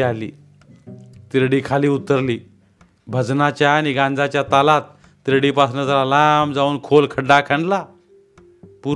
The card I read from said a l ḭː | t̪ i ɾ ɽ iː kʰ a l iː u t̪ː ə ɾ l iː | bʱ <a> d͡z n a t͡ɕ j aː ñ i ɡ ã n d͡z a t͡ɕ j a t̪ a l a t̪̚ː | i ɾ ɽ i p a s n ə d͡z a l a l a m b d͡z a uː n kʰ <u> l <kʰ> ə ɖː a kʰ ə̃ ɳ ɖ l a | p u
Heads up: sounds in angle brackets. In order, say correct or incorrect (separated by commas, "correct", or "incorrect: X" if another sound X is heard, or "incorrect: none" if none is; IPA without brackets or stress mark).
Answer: incorrect: ə, incorrect: o, correct